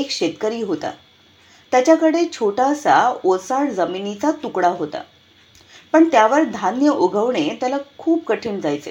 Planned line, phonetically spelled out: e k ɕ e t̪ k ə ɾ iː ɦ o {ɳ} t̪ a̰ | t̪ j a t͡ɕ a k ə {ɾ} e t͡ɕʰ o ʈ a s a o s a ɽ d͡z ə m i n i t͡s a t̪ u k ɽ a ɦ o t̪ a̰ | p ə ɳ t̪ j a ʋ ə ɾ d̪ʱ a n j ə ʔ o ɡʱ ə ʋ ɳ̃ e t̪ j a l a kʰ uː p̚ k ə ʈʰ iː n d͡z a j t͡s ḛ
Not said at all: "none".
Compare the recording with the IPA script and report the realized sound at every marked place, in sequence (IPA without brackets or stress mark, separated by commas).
none, ɽ